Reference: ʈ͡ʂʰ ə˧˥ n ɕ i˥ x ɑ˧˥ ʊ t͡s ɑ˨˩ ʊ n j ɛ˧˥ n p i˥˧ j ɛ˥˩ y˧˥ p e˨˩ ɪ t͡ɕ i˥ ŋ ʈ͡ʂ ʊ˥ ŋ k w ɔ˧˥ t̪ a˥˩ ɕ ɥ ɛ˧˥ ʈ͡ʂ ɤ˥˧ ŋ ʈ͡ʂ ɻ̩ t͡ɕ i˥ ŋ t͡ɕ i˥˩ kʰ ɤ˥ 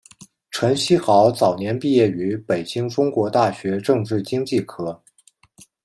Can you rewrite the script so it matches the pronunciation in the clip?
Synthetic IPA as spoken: ʈ͡ʂʰ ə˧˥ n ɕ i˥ x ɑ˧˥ ʊ t͡s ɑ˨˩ ʊ n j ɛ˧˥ n p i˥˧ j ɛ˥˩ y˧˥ p e˨˩ ɪ t͡ɕ i˥ ŋ ʈ͡ʂ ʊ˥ ŋ k w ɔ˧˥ t̪ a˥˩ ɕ ɥ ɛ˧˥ ʈ͡ʂ ɤ˥˧ ŋ ʈ͡ʂ ɻ̩ t͡ɕ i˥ ŋ t͡ɕ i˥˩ kʰ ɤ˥